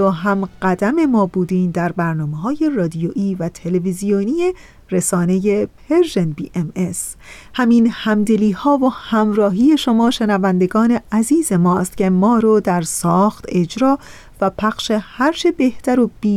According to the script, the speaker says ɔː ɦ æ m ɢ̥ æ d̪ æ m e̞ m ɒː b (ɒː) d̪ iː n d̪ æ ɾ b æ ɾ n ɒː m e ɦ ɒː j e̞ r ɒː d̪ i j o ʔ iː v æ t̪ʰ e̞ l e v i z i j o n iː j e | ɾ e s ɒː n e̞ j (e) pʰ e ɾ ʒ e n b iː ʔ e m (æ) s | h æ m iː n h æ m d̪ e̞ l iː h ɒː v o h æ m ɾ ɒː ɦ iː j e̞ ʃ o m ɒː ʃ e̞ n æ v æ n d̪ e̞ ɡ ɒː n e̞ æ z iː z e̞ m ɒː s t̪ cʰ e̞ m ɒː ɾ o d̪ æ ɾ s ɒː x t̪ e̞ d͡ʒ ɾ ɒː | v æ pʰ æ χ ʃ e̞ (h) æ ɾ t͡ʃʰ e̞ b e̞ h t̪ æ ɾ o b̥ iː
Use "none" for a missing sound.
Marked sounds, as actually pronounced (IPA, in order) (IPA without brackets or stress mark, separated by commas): uː, e, e, h